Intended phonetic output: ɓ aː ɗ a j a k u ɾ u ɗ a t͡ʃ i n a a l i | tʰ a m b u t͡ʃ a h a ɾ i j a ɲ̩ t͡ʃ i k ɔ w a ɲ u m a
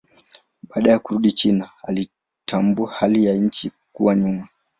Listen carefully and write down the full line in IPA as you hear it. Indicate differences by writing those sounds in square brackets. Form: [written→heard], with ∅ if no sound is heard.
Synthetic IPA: ɓ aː ɗ a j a k u ɾ u ɗ [a→i] t͡ʃ i n a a l i | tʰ a m b u [t͡ʃ→∅] a h a [ɾ→l] i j a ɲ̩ t͡ʃ i k [ɔ→u] w a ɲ u m a